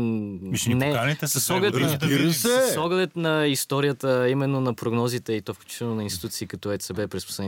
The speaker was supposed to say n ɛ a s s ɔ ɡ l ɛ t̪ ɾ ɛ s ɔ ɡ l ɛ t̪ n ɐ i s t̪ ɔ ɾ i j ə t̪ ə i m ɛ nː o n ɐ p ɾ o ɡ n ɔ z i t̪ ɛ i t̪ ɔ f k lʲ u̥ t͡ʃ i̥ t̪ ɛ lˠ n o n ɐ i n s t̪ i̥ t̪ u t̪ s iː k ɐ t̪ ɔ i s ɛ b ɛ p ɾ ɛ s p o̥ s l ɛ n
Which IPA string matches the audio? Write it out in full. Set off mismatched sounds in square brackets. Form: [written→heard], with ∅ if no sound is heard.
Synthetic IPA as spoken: n ɛ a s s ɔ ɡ l ɛ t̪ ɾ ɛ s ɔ ɡ l ɛ t̪ n ɐ i s t̪ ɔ ɾ i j ə t̪ ə i m ɛ nː o n ɐ p ɾ o ɡ n ɔ z i t̪ ɛ i t̪ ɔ f k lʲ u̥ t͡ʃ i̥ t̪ ɛ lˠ n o n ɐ i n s t̪ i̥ t̪ u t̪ s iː k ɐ t̪ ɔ [i→ɛ] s ɛ b ɛ p ɾ ɛ s p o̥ s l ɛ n